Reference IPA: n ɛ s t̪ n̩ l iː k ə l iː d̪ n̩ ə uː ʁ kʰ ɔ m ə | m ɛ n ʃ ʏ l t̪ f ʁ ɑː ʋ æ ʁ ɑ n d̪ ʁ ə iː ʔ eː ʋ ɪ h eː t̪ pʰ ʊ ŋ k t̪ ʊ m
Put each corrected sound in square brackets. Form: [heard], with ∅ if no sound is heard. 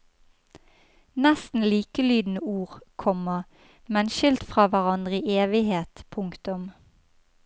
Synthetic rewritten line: n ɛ s t̪ n̩ l iː k ə l [yː] d̪ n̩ ə uː ʁ kʰ ɔ m ə | m ɛ n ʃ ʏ l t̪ f ʁ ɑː ʋ æ ʁ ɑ n d̪ ʁ ə iː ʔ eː ʋ ɪ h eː t̪ pʰ ʊ ŋ k t̪ ʊ m